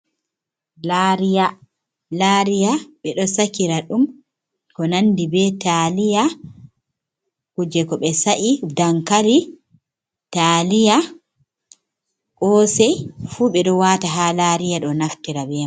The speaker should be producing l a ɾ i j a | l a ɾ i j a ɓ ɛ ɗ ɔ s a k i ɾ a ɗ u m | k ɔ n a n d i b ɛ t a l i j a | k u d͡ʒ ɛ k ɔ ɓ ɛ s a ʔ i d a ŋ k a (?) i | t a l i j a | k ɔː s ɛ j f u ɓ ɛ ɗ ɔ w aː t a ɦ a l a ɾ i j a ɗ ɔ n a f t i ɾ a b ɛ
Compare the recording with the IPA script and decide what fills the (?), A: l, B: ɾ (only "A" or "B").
B